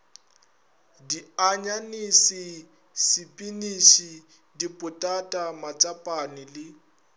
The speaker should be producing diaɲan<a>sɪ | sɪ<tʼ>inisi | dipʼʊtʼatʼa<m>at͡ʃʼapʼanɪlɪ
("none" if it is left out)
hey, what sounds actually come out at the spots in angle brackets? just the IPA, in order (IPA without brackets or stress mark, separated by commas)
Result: i, pʼ, m